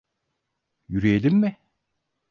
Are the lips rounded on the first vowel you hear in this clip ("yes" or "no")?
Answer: yes